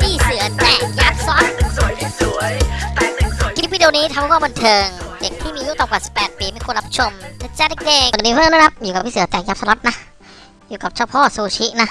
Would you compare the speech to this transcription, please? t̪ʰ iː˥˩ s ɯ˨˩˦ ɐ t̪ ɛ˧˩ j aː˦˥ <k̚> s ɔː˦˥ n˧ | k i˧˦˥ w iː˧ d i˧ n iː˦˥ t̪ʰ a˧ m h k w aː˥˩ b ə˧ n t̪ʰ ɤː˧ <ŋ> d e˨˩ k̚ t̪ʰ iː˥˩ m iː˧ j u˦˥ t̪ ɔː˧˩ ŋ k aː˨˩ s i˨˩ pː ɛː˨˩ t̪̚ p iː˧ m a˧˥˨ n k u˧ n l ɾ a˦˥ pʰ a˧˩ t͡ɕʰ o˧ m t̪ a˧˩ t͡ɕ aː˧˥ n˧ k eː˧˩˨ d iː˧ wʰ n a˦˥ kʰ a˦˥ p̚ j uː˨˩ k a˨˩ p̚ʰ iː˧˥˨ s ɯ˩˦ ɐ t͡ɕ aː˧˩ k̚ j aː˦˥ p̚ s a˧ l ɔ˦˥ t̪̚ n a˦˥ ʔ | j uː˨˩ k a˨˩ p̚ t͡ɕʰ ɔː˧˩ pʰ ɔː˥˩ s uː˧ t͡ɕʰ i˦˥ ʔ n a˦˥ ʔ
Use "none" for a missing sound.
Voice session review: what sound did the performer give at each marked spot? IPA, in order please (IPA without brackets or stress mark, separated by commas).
p̚, ŋ